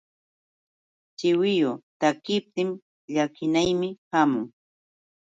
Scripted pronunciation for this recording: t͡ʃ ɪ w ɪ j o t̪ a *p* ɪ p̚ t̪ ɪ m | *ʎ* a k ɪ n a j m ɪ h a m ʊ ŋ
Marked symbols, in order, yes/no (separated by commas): no, yes